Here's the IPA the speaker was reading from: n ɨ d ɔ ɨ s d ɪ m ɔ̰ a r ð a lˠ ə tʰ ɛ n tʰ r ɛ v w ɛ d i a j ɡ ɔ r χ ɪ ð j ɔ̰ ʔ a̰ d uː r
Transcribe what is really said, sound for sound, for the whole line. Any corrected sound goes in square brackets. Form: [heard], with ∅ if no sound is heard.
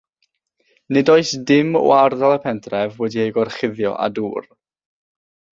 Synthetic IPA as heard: n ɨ d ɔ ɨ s d ɪ m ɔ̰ a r ð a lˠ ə [pʰ] ɛ n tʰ r ɛ v w ɛ d i [e] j ɡ ɔ r χ ɪ ð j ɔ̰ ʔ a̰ d uː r